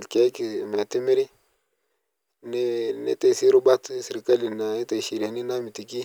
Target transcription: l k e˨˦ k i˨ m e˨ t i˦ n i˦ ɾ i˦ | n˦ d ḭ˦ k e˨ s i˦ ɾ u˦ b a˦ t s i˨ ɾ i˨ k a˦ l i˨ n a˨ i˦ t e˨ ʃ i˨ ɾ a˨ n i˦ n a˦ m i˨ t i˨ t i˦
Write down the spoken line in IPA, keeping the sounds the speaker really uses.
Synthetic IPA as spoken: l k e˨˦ k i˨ m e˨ t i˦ m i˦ ɾ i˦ | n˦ n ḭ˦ t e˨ s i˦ ɾ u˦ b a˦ t s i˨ ɾ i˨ k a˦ l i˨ n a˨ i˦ t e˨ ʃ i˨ ɾ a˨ n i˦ n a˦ m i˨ t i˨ k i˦